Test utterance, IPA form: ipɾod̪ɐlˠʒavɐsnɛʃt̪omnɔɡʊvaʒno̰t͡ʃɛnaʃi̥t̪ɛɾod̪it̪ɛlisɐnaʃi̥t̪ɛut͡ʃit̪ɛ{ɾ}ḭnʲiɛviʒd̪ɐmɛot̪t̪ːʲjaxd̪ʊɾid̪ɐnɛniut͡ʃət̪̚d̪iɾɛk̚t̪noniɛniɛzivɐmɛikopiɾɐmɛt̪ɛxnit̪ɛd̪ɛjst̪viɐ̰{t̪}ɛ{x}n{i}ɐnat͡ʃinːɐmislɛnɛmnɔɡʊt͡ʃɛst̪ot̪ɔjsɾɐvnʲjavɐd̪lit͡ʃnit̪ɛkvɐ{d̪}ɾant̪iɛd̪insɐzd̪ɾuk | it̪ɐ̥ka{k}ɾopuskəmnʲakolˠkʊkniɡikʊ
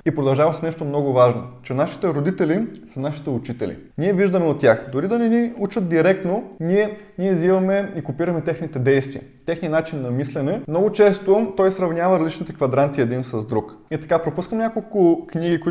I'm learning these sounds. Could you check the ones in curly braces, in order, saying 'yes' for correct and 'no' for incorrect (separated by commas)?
no, yes, yes, yes, yes, no